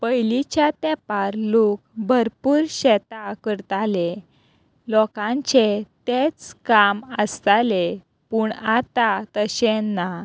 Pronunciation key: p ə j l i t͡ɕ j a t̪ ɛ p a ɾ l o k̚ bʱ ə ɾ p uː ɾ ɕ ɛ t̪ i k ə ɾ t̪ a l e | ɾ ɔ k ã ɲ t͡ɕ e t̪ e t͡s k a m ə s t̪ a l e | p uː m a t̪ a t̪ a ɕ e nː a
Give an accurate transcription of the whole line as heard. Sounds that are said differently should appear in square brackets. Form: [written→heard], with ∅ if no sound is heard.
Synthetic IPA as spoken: p ə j l i t͡ɕ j a t̪ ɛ p a ɾ l o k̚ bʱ ə ɾ p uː ɾ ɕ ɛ t̪ [i→a] k ə ɾ t̪ a l e | [ɾ→l] ɔ k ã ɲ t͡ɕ e t̪ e t͡s k a m ə s t̪ a l e | p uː [m→ɳ] a t̪ a t̪ [a→ə] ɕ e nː a